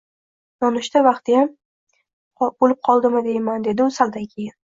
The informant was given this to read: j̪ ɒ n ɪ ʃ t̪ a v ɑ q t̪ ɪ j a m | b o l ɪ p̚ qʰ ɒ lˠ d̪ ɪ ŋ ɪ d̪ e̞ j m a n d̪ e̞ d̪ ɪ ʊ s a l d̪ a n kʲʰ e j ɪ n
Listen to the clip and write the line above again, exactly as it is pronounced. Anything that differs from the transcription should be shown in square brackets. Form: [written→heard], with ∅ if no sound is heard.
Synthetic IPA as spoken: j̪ ɒ n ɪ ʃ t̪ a v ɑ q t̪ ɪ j a m | b o l ɪ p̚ qʰ ɒ lˠ d̪ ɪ [ŋ→m] ɪ d̪ e̞ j m a n d̪ e̞ d̪ ɪ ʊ s a l d̪ a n kʲʰ e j ɪ n